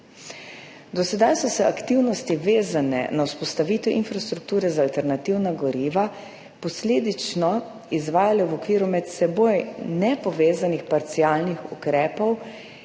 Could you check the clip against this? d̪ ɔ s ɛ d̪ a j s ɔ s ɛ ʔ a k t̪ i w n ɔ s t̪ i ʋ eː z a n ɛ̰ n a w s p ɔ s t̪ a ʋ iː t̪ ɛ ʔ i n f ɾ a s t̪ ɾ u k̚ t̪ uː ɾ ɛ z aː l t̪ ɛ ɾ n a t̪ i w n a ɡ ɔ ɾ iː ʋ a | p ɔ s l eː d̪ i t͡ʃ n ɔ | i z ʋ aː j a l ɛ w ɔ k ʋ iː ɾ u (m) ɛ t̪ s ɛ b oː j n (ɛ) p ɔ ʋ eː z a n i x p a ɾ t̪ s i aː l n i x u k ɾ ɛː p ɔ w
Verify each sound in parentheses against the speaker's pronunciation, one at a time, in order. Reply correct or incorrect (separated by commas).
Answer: correct, correct